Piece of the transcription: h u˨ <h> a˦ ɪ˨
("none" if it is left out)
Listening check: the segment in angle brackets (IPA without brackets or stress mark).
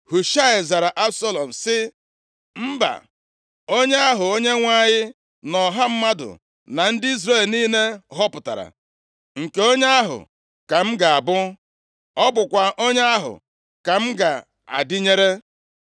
ʃ